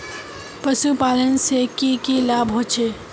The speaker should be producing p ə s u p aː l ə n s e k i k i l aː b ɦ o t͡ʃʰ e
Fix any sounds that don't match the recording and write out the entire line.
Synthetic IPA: p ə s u p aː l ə n s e k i k i l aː b ɦ o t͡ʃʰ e

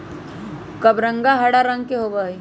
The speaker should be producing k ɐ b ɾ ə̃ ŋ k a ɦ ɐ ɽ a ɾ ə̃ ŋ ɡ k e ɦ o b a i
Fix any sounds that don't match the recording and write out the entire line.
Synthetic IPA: k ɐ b ɾ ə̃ ŋ ɡ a ɦ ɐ ɽ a ɾ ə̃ ŋ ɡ k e ɦ o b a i

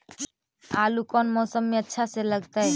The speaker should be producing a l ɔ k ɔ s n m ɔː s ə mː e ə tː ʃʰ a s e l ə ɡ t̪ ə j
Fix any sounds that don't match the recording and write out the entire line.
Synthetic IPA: a l u k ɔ n m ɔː s ə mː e ə tː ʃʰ a s e l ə ɡ t̪ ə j

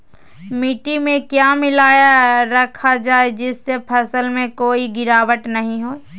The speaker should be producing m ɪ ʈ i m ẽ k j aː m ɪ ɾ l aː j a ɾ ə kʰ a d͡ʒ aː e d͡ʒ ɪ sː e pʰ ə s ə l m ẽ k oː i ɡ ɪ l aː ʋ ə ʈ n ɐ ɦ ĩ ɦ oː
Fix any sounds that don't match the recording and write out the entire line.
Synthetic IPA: m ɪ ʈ i m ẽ k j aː m ɪ l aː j a ɾ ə kʰ a d͡ʒ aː e d͡ʒ ɪ sː e pʰ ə s ə l m ẽ k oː i ɡ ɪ ɾ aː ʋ ə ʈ n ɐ ɦ ĩ ɦ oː

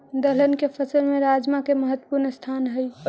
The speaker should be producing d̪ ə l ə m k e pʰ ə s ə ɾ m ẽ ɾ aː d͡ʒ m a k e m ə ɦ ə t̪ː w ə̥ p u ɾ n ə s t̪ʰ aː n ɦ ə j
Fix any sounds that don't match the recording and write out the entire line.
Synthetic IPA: d̪ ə l ə n k e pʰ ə s ə l m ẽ ɾ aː d͡ʒ m a k e m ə ɦ ə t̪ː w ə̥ p u ɾ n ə s t̪ʰ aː n ɦ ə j

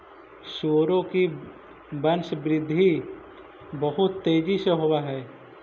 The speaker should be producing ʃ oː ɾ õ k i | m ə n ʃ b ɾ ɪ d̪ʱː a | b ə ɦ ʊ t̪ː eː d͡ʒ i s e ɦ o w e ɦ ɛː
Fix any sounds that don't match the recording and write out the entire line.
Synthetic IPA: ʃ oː ɾ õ k i | b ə n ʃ b ɾ ɪ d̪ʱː i | b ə ɦ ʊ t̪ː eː d͡ʒ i s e ɦ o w a ɦ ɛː

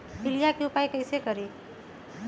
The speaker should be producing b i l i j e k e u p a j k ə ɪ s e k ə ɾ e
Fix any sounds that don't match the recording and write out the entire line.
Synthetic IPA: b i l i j a k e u p a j k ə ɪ s e k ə ɾ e

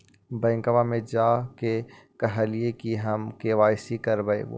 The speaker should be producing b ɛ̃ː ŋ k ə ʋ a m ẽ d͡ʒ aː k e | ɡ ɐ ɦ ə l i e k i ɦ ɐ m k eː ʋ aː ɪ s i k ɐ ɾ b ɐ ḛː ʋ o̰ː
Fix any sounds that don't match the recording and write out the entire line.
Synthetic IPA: b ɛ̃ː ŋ k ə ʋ a m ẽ d͡ʒ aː k e | k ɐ ɦ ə l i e k i ɦ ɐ m k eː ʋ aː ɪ s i k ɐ ɾ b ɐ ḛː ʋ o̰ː

